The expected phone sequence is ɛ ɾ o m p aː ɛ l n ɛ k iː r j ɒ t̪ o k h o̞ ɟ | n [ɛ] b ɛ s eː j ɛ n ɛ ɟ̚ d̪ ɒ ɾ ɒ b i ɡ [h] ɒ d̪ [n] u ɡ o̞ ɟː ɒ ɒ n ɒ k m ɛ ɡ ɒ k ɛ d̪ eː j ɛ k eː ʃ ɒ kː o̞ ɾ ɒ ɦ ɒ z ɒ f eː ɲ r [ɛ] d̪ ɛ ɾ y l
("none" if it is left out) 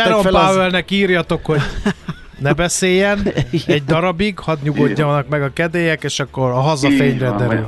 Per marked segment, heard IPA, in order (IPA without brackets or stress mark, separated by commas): ɛ, h, ɲ, ɛ